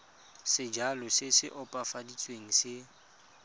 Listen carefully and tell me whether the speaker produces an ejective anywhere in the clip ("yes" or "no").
yes